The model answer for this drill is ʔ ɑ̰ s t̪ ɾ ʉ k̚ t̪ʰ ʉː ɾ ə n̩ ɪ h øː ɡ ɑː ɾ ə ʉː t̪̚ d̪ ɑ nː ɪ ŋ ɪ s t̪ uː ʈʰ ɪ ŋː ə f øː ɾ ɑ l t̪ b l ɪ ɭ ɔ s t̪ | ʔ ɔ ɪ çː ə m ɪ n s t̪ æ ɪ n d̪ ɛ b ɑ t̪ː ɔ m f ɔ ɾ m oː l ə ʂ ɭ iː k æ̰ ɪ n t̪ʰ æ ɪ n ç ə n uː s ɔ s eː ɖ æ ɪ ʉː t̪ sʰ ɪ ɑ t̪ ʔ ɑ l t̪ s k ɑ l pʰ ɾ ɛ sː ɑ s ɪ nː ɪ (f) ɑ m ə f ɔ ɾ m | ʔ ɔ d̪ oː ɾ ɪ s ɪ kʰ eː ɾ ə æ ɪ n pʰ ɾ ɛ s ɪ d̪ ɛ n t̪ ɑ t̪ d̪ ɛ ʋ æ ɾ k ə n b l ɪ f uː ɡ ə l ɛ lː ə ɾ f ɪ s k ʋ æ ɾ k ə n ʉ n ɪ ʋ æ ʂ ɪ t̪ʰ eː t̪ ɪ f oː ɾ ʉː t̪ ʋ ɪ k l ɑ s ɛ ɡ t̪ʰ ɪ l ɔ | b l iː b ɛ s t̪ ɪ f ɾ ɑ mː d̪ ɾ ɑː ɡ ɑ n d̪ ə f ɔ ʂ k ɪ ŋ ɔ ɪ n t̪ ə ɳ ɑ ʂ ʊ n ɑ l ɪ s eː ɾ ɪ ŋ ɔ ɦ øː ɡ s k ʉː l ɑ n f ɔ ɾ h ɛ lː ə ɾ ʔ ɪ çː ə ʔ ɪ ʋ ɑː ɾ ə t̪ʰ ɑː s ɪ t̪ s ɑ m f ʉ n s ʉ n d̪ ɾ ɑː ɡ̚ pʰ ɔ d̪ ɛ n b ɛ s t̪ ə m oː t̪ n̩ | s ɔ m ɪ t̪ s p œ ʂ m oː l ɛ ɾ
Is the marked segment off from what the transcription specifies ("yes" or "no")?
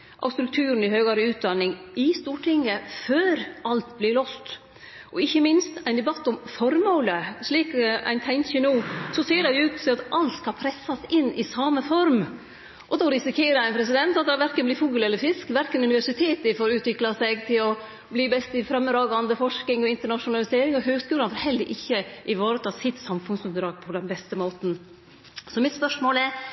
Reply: yes